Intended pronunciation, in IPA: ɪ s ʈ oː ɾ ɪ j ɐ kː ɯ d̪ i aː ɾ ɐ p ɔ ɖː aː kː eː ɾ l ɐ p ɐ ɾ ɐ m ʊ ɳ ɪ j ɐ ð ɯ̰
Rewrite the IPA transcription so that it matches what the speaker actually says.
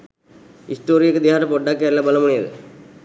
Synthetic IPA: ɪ s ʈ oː ɾ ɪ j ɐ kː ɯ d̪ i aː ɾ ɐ p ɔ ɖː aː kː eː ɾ l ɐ b ɐ l ɐ m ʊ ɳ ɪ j ɐ ð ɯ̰